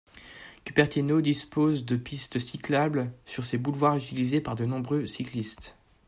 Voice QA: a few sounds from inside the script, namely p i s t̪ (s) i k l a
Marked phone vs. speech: correct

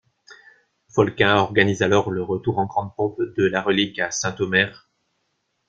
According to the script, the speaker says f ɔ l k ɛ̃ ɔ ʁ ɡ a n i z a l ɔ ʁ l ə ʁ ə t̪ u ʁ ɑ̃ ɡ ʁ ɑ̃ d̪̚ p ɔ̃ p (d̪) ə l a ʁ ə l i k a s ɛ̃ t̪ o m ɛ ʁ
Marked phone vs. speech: correct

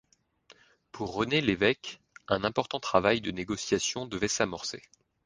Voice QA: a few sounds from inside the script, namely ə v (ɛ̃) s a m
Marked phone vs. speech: incorrect: ɛ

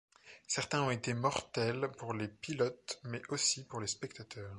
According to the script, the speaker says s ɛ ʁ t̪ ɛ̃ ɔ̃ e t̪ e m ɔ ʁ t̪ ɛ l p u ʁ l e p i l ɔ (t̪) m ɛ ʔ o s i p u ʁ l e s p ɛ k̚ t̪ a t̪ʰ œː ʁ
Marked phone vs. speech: correct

